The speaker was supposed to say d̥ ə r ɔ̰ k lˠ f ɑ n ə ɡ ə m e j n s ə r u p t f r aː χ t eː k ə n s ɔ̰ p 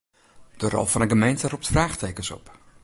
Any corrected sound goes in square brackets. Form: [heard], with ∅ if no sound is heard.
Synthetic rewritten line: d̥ ə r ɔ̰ [∅] lˠ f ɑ n ə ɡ ə m e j n [t] ə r u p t f r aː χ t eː k ə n s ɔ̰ p